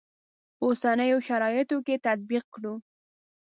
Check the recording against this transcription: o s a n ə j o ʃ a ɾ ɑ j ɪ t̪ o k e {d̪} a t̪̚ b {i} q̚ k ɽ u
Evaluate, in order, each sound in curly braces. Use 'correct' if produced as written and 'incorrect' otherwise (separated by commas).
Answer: incorrect, correct